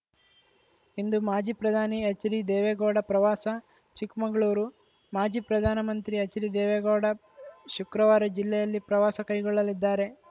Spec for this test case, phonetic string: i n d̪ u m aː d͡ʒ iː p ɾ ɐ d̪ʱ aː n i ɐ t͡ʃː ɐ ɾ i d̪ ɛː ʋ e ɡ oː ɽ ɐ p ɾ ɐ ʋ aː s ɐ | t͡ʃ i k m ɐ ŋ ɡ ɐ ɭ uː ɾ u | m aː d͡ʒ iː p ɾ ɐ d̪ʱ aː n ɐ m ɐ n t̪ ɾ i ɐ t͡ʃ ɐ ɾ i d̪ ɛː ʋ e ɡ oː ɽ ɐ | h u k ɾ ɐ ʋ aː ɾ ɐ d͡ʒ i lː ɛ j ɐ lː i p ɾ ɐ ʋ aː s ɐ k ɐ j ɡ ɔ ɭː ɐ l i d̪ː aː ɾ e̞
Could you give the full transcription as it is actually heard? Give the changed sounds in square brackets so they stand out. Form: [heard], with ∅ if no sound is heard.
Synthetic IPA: i n d̪ u m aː d͡ʒ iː p ɾ ɐ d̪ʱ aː n i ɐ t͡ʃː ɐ ɾ i d̪ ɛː ʋ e ɡ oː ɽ ɐ p ɾ ɐ ʋ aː s ɐ | t͡ʃ i k m ɐ ŋ ɡ ɐ ɭ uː ɾ u | m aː d͡ʒ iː p ɾ ɐ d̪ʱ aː n ɐ m ɐ n t̪ ɾ i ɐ t͡ʃ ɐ ɾ i d̪ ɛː ʋ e ɡ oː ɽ ɐ | [ʃ] u k ɾ ɐ ʋ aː ɾ ɐ d͡ʒ i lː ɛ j ɐ lː i p ɾ ɐ ʋ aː s ɐ k ɐ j ɡ ɔ ɭː ɐ l i d̪ː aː ɾ e̞